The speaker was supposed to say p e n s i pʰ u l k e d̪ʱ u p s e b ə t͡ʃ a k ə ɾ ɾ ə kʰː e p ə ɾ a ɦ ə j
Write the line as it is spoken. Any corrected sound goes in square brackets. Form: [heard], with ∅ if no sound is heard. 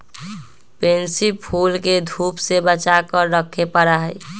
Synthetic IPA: p e n s i pʰ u l k e d̪ʱ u p s e b ə t͡ʃ a k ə ɾ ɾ ə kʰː e p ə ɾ a ɦ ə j

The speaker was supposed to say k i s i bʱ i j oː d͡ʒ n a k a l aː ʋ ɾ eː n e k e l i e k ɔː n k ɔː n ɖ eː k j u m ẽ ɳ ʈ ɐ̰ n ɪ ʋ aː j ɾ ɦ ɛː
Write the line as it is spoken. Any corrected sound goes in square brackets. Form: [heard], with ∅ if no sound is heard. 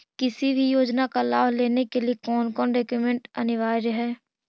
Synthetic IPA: k [ɪ] s i bʱ i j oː d͡ʒ n a k a l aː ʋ [l] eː n e k e l i e k ɔː n k ɔː n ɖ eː k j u m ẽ ɳ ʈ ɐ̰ n ɪ ʋ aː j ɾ ɦ ɛː

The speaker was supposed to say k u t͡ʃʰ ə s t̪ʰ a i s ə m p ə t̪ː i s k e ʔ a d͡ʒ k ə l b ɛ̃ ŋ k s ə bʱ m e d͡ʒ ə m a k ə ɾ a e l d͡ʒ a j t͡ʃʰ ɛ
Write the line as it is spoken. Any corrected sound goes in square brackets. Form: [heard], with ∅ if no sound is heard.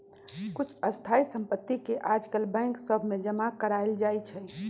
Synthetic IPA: k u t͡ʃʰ ə s t̪ʰ a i s ə m p ə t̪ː i [∅] k e ʔ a d͡ʒ k ə l b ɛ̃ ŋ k s ə bʱ m e d͡ʒ ə m a k ə ɾ a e l d͡ʒ a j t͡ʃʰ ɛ

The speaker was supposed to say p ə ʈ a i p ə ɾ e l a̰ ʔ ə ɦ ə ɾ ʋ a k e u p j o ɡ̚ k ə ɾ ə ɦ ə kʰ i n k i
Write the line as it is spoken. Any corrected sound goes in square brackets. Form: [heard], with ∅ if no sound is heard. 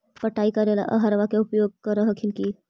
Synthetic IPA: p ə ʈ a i [k] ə ɾ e l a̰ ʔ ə ɦ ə ɾ ʋ a k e u p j o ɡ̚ k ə ɾ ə ɦ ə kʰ i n k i

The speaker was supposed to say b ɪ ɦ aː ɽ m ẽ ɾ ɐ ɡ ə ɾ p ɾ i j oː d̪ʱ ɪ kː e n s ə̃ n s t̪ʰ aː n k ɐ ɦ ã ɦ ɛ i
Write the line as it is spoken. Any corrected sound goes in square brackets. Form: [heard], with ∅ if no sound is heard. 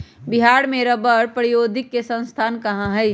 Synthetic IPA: b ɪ ɦ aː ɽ m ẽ ɾ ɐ [b] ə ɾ p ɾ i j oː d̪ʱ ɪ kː e [∅] s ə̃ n s t̪ʰ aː n k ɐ ɦ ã ɦ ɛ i

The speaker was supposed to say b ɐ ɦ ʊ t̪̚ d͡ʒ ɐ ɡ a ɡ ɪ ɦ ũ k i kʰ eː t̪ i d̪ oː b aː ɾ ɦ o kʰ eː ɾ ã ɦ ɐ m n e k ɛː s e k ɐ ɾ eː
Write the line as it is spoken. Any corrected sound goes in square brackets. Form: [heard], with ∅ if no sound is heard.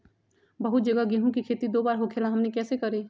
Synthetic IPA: b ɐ ɦ ʊ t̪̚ d͡ʒ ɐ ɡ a ɡ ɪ ɦ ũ k i kʰ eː t̪ i d̪ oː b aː ɾ ɦ o kʰ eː [l] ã ɦ ɐ m n e k ɛː s e k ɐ ɾ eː

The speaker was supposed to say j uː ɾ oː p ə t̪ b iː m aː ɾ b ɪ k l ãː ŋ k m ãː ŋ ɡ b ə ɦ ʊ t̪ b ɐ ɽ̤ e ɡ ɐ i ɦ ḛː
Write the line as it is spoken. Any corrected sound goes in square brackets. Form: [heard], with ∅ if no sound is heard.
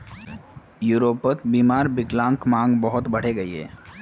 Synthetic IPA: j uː ɾ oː p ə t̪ b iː m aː ɾ b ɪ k l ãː ŋ k m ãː ŋ ɡ b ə ɦ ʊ t̪ b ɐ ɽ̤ e ɡ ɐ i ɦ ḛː

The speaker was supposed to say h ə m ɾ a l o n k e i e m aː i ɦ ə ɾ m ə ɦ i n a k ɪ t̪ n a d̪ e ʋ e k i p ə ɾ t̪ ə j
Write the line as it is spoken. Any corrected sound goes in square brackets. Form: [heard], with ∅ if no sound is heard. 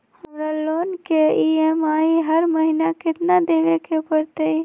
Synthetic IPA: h ə m ɾ a l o n k e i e m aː i ɦ ə ɾ m ə ɦ i n a k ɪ t̪ n a d̪ e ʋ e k [e] p ə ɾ t̪ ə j

